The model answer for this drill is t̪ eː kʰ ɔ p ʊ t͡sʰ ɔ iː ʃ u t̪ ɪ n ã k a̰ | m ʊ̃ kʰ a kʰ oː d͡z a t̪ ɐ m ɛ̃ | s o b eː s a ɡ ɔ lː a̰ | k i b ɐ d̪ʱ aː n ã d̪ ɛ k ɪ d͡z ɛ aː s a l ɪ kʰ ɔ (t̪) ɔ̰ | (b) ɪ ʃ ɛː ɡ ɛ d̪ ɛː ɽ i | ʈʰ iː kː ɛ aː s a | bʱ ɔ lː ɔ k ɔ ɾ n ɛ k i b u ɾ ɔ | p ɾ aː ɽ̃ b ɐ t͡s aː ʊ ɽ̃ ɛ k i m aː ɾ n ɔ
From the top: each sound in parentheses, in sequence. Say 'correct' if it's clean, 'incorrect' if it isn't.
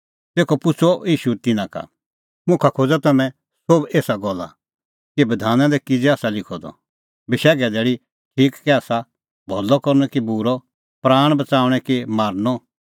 incorrect, correct

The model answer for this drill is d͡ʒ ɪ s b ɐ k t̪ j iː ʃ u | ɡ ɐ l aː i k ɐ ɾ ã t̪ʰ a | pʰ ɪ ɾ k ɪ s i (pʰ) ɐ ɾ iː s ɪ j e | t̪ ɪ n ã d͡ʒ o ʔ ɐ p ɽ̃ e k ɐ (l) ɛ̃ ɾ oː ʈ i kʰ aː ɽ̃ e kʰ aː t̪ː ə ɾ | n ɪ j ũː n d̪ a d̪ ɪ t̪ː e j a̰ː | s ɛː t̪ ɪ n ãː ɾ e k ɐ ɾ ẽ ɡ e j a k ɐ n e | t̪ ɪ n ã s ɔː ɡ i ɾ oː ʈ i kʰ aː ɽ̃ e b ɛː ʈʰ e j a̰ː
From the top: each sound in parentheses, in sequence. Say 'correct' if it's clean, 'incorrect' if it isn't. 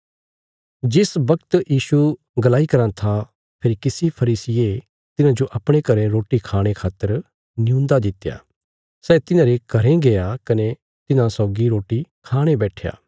correct, incorrect

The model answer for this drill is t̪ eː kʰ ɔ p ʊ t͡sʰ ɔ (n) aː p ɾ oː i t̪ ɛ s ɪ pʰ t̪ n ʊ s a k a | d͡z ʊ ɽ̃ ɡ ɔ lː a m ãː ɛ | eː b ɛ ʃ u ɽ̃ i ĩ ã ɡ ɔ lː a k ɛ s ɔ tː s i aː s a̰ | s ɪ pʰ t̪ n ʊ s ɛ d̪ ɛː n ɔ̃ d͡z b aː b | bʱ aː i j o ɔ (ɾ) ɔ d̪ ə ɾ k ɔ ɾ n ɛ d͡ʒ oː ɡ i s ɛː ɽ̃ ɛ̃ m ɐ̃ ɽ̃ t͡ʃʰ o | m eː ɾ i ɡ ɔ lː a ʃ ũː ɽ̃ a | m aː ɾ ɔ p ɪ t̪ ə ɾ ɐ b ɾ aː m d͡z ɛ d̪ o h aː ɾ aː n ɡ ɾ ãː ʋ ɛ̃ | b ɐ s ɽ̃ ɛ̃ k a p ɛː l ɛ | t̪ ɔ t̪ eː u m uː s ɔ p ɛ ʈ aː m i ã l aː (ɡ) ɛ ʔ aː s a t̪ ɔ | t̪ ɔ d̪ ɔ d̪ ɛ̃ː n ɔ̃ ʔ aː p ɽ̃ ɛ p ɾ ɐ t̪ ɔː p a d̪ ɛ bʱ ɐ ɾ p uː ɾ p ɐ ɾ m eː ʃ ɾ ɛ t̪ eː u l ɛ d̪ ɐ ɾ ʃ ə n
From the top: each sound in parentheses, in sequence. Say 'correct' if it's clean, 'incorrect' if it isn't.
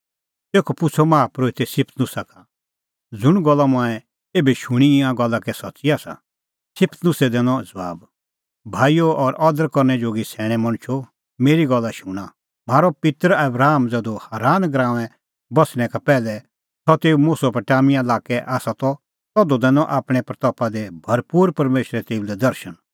incorrect, correct, incorrect

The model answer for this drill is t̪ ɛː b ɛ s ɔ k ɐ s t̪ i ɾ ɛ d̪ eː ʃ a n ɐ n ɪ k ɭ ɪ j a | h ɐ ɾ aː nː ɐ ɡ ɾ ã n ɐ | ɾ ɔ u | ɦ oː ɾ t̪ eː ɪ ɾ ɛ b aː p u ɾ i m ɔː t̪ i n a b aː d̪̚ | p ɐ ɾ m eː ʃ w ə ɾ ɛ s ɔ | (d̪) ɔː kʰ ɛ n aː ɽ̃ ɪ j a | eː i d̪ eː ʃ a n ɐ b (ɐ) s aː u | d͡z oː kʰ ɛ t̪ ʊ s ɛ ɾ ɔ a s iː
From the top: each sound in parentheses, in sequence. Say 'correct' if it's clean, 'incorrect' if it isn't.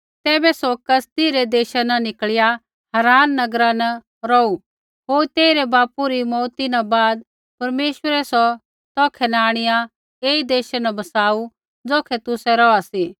incorrect, correct

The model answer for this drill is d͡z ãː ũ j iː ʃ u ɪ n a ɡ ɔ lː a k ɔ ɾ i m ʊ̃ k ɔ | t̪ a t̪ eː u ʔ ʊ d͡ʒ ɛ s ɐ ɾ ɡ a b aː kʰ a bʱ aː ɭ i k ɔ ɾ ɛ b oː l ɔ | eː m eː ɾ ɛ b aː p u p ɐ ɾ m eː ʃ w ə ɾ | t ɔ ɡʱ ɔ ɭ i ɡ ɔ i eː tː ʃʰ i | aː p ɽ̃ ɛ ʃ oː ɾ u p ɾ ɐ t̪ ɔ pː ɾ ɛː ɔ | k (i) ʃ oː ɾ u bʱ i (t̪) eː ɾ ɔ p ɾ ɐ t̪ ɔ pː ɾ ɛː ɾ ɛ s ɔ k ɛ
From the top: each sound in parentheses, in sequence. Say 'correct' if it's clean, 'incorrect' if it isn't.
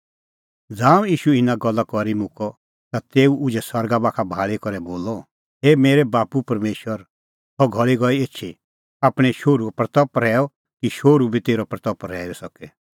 correct, correct

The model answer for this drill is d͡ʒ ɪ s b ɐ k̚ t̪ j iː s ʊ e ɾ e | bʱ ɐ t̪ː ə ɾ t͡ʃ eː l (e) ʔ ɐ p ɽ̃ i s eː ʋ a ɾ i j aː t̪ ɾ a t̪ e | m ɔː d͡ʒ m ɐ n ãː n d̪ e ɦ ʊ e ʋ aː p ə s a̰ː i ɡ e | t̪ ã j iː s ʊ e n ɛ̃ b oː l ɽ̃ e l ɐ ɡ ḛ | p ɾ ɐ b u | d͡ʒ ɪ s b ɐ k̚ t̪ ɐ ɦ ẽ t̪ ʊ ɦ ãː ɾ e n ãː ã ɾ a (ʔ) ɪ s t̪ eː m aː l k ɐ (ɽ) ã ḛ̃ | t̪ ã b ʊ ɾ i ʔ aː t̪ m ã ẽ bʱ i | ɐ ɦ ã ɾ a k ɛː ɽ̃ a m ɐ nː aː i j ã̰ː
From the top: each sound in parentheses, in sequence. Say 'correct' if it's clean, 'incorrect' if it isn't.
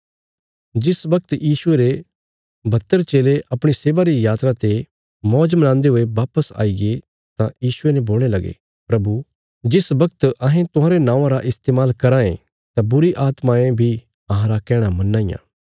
correct, correct, incorrect

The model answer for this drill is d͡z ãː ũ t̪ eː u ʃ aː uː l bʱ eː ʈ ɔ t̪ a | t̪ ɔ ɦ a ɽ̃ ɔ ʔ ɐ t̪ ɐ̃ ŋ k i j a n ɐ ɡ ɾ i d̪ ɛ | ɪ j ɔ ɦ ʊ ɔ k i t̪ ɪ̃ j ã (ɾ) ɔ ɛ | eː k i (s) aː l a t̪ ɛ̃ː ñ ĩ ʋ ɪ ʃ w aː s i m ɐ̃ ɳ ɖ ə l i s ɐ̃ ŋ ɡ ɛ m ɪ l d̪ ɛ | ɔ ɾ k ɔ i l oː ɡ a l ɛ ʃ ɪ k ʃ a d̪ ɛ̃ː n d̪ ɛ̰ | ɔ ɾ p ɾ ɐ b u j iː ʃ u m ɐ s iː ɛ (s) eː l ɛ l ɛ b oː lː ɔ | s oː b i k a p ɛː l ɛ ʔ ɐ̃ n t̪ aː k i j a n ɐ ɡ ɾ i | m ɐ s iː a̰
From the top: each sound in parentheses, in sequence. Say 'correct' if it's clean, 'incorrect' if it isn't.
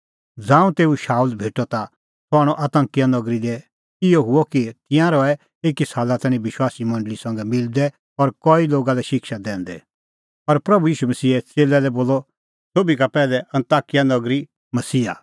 correct, correct, incorrect

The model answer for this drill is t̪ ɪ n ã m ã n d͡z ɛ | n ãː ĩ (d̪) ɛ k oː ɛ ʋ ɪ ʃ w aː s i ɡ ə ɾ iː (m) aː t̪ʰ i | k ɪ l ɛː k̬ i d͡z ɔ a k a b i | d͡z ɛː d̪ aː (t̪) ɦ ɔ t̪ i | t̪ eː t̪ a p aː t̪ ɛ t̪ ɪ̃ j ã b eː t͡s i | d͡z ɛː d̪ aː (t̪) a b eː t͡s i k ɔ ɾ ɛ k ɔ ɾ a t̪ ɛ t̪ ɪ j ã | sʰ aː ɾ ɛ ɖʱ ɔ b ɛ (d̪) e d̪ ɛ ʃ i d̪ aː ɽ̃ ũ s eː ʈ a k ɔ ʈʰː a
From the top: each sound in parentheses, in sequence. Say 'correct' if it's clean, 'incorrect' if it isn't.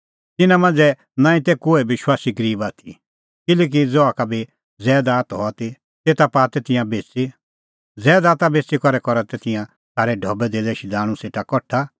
incorrect, incorrect, correct, correct, correct

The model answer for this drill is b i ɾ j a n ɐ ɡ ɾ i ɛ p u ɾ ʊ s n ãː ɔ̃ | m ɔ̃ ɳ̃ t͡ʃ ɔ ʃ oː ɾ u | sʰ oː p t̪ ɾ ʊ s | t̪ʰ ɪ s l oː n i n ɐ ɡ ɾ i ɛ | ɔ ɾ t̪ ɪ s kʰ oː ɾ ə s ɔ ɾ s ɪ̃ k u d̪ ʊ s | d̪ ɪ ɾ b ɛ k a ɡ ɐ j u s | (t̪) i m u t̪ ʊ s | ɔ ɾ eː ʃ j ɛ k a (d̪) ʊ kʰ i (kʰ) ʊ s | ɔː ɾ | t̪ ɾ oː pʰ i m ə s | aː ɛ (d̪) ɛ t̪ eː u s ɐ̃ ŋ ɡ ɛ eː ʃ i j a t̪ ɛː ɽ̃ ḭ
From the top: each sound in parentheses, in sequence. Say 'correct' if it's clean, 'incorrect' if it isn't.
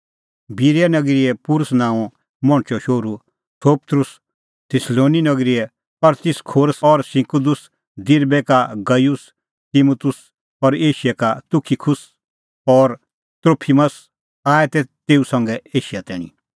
correct, incorrect, correct, incorrect

